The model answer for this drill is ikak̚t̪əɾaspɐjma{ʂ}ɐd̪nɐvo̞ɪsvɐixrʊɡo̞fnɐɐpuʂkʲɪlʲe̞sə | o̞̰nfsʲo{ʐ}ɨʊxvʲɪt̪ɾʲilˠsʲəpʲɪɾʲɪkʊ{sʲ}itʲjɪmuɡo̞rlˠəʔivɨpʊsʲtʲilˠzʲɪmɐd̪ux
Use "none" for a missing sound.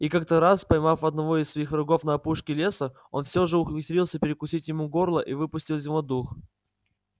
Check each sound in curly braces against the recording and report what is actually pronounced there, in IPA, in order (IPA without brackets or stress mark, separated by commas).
f, ʐ, sʲ